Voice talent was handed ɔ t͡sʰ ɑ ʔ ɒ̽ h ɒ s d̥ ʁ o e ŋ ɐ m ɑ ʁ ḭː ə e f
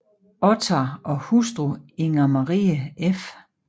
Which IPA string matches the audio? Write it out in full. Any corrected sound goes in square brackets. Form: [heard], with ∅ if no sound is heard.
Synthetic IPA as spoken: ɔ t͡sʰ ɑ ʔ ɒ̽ h [u] s d̥ ʁ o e ŋ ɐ m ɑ ʁ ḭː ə e f